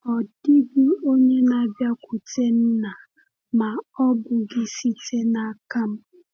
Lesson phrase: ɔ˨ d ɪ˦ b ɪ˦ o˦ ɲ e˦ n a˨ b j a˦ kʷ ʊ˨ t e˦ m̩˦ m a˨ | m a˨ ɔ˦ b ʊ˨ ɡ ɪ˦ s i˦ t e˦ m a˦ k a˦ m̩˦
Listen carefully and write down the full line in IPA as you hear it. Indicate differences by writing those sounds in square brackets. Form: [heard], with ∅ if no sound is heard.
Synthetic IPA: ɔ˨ d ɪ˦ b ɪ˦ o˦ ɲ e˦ n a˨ b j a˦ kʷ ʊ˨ t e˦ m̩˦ [n] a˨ | m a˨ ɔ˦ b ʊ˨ ɡ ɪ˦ s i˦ t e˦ [n] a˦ k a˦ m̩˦